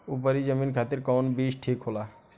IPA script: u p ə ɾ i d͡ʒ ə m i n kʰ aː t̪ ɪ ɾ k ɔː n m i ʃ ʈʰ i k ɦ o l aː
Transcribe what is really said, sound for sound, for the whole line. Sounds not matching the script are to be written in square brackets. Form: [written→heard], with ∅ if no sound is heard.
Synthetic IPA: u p ə ɾ i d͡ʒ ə m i n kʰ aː t̪ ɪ ɾ k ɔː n [m→b] i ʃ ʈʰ i k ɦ o l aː